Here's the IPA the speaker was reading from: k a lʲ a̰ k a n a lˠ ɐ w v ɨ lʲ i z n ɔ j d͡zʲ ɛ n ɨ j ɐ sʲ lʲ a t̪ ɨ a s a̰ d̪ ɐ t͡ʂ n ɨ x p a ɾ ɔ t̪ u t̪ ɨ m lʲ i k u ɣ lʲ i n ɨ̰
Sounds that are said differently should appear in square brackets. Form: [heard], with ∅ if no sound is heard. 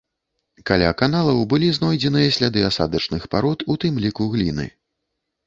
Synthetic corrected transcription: k a lʲ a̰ k a n a lˠ ɐ w [b] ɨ lʲ i z n ɔ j d͡zʲ ɛ n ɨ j ɐ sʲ lʲ a [d̪] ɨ a s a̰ d̪ ɐ t͡ʂ n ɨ x p a ɾ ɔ t̪ u t̪ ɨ m lʲ i k u ɣ lʲ i n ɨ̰